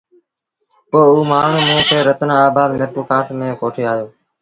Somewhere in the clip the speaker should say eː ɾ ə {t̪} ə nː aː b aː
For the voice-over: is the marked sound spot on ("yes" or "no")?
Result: yes